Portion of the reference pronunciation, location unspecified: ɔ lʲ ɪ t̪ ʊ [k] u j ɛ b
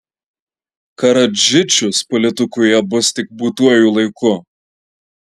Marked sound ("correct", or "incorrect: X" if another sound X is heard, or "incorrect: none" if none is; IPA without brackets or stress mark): correct